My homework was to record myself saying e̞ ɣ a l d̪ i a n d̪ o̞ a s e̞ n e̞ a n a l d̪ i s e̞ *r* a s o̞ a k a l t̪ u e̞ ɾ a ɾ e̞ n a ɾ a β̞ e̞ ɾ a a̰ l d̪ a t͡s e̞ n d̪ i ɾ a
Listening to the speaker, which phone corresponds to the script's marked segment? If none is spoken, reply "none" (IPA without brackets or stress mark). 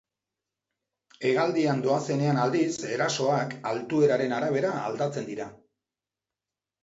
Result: ɾ